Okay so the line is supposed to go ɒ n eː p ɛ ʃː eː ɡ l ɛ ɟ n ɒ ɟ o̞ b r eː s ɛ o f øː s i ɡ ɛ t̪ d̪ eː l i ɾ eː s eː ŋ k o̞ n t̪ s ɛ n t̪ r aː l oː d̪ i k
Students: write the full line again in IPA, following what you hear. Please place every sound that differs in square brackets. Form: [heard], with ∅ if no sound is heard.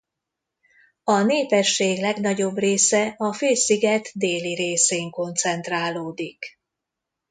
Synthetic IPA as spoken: ɒ n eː p ɛ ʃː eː ɡ l ɛ [ɡ] n ɒ ɟ o̞ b r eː s ɛ [ɒ] f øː s i ɡ ɛ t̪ d̪ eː l i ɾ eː s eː ŋ k o̞ n t̪ s ɛ n t̪ r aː l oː d̪ i k